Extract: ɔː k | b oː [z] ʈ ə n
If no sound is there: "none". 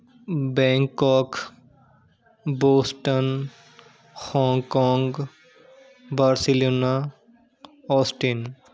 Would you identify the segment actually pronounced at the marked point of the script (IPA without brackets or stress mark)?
s